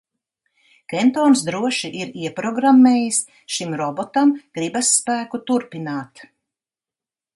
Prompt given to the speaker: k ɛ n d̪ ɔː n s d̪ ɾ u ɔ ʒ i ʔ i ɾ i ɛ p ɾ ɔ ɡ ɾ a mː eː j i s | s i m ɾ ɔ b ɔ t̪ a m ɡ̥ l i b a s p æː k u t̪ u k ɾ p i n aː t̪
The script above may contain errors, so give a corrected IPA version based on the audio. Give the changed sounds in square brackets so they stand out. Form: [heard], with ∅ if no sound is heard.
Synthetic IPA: k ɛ n [t̪] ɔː n s d̪ ɾ u ɔ [ʃ] i ʔ i ɾ i ɛ p ɾ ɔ ɡ ɾ a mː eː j i s | [ʃ] i m ɾ ɔ b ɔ t̪ a m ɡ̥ [ɾ] i b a [sː] p æː k u t̪ u [∅] ɾ p i n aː t̪